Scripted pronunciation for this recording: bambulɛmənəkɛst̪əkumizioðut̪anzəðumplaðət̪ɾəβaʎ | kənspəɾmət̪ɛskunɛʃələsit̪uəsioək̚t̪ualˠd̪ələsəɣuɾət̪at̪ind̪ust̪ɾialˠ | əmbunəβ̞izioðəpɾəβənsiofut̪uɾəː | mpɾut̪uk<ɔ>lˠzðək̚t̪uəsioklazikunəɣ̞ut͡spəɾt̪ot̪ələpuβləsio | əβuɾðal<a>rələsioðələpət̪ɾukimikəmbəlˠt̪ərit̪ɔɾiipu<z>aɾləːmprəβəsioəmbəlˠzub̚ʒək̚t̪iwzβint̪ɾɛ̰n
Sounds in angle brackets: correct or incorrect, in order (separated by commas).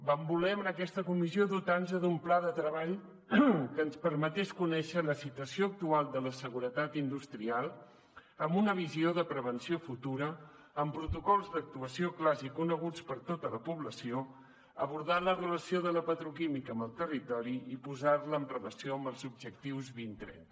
correct, incorrect, correct